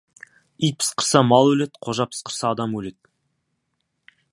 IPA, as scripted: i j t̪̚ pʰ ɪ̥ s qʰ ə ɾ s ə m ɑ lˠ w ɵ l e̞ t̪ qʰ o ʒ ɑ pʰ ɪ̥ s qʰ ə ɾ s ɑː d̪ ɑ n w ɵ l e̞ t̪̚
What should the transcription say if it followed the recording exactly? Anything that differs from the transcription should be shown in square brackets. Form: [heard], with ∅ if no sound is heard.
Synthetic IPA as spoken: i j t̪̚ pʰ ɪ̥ s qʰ ə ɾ s [ɑ] m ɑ lˠ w ɵ l e̞ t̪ qʰ o ʒ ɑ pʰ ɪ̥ s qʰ ə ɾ s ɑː d̪ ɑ [m] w ɵ l e̞ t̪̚

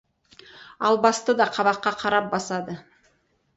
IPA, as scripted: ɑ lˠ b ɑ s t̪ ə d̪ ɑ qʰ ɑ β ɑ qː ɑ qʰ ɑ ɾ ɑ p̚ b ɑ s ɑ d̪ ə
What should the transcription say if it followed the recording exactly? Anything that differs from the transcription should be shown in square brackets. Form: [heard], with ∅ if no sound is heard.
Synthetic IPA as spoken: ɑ lˠ b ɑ s t̪ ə d̪ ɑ qʰ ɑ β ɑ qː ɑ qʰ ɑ ɾ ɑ p̚ b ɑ s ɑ d̪ ə

